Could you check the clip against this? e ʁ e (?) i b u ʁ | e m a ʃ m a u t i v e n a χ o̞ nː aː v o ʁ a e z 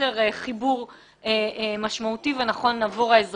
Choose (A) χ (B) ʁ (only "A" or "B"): A